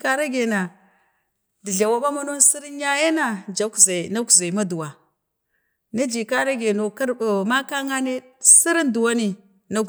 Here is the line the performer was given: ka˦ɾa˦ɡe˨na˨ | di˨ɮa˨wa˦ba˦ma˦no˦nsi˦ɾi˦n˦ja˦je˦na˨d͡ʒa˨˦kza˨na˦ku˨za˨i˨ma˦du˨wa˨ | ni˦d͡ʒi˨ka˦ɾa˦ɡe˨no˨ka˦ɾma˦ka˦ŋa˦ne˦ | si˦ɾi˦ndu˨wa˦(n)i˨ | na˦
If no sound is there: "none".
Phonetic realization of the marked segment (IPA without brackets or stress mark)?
n